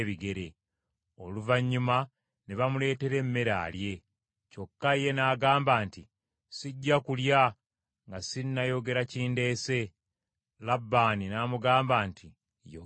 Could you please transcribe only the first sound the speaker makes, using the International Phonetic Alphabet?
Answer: β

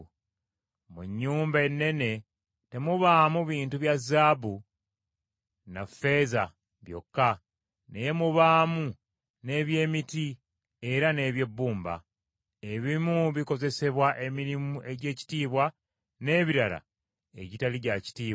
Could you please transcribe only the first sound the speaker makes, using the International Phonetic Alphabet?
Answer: m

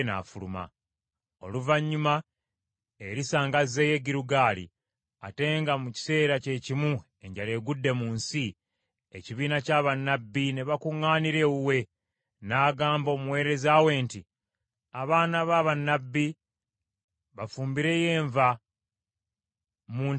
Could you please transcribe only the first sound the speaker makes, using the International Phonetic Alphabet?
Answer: n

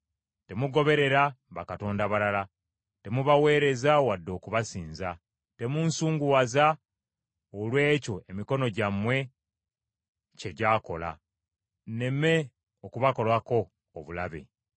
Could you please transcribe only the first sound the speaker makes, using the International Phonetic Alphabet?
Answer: t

